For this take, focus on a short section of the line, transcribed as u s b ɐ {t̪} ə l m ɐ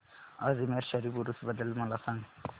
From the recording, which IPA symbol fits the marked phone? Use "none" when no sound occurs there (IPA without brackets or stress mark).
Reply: d̪